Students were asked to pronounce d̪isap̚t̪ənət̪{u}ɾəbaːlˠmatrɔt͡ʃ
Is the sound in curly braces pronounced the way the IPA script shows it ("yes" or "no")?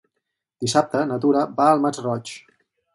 yes